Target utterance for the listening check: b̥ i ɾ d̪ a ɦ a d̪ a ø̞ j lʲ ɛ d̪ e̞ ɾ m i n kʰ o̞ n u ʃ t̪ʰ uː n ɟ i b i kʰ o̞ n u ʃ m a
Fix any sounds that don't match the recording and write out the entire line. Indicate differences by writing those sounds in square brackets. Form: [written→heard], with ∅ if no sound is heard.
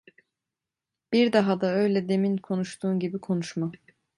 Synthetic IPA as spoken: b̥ i ɾ d̪ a ɦ a d̪ a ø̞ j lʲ ɛ d̪ e̞ [ɾ→∅] m i n kʰ o̞ n u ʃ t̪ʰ uː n ɟ i b i kʰ o̞ n u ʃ m a